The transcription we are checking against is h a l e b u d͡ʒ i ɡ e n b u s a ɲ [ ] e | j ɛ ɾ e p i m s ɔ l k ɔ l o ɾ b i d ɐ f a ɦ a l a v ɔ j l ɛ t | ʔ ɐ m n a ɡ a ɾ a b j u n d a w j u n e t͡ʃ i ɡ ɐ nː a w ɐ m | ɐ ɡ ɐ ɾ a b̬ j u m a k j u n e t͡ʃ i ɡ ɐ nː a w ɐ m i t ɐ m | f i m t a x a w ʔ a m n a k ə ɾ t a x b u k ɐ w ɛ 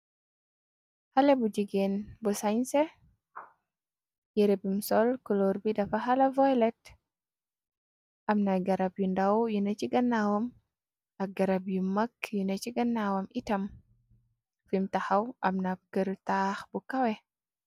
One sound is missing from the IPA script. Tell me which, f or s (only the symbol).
s